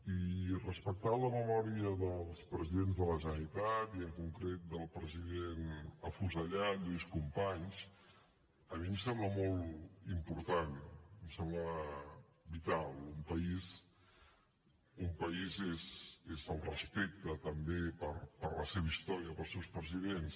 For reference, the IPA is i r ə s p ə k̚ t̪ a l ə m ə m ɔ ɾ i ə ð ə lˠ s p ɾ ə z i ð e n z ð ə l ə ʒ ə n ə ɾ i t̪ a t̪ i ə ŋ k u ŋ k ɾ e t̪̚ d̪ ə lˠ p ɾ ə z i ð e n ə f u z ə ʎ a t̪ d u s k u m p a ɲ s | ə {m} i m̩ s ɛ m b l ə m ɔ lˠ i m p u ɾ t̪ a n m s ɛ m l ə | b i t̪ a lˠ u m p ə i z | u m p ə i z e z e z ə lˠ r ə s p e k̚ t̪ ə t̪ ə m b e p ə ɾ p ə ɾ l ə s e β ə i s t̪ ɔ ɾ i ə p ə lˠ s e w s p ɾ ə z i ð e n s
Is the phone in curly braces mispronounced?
no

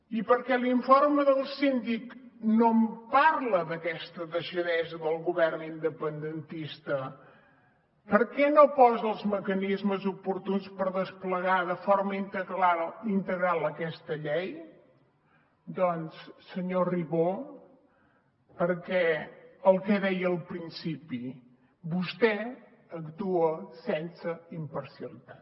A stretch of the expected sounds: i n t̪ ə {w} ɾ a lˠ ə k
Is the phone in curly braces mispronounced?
yes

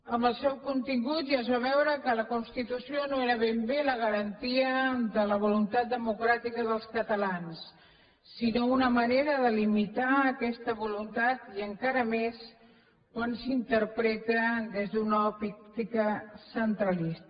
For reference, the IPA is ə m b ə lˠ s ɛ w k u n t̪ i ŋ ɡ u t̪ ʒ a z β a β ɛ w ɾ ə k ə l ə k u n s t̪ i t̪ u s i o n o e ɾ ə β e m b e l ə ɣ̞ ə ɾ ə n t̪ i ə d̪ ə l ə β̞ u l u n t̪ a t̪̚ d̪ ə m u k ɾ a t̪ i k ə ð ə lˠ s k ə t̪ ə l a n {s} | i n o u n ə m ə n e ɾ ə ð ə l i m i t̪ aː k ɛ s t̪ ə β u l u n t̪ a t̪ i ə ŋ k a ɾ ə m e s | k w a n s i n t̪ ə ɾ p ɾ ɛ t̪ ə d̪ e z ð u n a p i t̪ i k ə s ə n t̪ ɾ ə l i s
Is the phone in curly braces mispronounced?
yes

